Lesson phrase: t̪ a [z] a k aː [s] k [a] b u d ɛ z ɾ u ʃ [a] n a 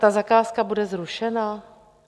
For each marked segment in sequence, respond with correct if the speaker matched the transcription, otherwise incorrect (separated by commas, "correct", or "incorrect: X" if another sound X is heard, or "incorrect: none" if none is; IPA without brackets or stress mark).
correct, correct, correct, incorrect: ɛ